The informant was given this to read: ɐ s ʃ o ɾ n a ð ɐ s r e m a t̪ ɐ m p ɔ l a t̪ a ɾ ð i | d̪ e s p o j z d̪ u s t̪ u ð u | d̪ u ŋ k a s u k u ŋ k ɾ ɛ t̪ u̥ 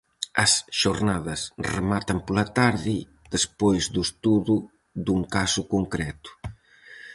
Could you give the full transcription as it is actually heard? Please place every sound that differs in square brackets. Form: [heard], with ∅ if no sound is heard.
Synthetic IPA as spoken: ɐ s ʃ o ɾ n a ð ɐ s r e m a t̪ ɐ m p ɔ l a t̪ a ɾ ð i | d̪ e s p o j z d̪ u s t̪ u ð u | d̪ u ŋ k a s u k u ŋ k ɾ ɛ t̪ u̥